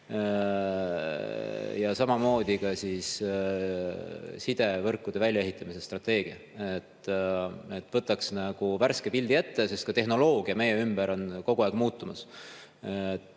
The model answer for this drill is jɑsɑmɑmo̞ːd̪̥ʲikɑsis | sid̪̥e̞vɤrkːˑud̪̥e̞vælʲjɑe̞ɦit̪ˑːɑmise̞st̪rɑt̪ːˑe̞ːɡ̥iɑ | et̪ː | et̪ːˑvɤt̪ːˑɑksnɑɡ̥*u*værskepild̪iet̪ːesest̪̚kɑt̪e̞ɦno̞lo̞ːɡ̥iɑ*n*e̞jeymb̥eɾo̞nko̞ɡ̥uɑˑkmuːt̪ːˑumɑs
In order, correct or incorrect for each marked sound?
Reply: correct, incorrect: m

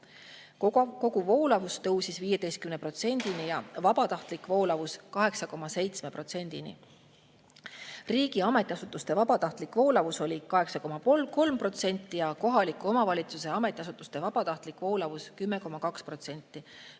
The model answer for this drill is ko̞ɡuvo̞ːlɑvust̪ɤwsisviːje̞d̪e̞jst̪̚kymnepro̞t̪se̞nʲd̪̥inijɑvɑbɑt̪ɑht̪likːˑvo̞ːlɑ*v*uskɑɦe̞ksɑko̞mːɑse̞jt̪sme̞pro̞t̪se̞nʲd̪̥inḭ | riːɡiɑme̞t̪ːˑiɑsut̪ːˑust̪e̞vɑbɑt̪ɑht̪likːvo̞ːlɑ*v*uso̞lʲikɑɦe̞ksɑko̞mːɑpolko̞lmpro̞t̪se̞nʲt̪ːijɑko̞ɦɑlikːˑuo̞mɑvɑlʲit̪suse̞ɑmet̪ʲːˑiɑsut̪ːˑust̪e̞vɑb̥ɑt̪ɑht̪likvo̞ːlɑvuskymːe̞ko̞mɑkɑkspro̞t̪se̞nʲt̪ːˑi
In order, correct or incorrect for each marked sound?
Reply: correct, correct

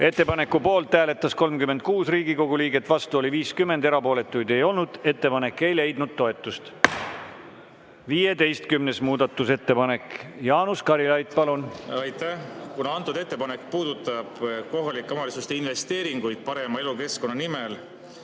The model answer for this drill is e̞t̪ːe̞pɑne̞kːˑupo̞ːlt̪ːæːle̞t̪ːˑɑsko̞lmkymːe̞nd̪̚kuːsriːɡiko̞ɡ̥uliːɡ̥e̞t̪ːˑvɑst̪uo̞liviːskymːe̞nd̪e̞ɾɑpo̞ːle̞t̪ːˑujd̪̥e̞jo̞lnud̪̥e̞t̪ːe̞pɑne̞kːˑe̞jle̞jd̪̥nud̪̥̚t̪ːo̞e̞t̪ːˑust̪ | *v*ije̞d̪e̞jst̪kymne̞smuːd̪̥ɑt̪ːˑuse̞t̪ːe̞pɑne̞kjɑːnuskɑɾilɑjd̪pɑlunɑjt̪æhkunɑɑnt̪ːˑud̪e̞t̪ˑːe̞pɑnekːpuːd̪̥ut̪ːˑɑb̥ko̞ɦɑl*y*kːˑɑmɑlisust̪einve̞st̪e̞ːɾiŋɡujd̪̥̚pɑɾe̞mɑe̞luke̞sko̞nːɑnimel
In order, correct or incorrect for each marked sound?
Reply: correct, incorrect: i

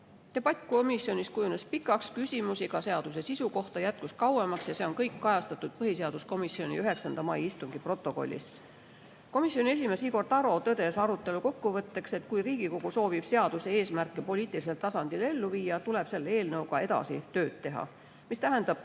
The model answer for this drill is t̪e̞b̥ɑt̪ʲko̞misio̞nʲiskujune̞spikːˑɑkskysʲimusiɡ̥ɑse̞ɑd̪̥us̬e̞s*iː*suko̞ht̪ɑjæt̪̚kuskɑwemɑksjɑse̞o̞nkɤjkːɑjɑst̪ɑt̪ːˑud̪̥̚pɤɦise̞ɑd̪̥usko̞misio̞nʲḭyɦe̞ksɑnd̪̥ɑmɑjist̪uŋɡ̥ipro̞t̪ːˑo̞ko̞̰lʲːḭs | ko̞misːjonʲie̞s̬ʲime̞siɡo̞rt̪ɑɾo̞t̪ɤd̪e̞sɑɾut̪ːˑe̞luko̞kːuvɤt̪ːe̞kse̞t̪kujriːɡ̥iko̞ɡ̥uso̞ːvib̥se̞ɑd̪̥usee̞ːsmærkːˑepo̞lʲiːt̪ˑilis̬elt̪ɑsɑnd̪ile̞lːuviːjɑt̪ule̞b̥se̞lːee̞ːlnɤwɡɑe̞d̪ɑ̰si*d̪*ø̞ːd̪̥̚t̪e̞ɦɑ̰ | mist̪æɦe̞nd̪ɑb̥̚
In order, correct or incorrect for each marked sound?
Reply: incorrect: i, incorrect: t̪

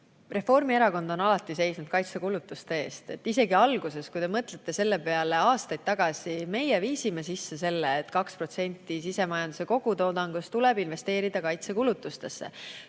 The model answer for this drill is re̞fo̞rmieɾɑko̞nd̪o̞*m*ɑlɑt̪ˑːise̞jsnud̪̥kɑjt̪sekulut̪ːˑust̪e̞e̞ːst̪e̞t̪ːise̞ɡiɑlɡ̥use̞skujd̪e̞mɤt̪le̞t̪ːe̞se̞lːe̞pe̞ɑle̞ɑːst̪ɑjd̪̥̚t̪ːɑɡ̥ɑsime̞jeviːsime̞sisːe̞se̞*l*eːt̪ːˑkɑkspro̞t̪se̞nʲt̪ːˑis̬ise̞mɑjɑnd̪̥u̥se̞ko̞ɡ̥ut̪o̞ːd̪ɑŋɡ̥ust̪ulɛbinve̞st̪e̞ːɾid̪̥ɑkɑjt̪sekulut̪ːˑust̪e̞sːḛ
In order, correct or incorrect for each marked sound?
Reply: incorrect: n, incorrect: lː

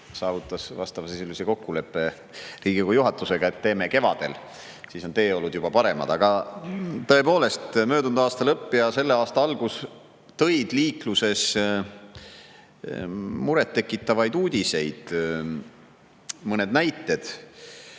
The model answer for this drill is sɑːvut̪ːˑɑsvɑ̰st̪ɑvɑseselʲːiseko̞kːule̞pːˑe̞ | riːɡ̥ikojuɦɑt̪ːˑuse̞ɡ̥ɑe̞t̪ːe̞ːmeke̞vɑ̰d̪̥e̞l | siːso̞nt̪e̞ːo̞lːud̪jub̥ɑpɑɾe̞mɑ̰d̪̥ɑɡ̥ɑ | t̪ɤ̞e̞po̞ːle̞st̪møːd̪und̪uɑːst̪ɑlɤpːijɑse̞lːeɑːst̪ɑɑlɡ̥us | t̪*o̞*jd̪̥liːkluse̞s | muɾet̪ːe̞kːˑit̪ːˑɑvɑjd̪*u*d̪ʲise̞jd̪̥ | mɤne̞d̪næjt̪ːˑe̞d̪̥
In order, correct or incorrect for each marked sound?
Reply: incorrect: ɤ̞, incorrect: uː

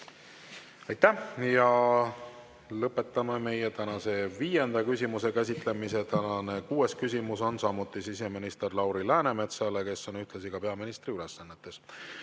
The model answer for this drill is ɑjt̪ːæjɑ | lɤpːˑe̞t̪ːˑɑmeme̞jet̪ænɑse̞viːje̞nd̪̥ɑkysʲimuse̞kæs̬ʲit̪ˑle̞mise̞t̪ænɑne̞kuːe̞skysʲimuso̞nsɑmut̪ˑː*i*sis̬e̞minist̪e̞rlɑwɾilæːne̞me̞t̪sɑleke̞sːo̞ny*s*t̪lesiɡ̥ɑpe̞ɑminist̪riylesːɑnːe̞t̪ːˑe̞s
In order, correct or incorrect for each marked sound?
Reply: correct, incorrect: h

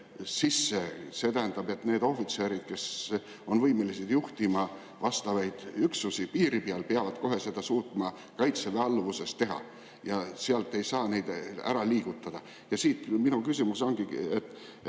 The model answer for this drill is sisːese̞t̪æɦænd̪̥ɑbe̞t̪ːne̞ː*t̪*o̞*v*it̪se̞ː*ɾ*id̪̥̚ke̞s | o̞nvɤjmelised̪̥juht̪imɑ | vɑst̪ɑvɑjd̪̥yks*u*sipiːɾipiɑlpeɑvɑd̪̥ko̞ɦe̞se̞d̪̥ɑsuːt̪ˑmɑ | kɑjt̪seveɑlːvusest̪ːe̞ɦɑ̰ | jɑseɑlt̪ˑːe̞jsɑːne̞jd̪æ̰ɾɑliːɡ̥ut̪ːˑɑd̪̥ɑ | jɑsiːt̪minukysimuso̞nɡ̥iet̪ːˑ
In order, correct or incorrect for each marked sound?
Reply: incorrect: d̪, incorrect: f, correct, correct

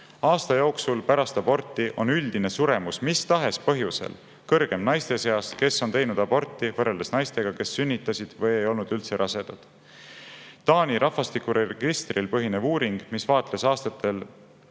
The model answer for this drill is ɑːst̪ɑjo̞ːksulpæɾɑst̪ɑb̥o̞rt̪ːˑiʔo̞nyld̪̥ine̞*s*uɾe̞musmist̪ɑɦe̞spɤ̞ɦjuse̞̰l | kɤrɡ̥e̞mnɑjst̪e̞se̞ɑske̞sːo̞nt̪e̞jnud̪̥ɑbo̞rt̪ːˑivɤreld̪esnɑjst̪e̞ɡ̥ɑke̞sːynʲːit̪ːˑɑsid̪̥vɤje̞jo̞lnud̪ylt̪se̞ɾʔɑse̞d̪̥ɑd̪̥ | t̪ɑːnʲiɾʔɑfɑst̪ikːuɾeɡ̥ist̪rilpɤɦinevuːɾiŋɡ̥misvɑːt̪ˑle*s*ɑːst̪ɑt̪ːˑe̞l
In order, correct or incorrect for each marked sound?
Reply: correct, correct

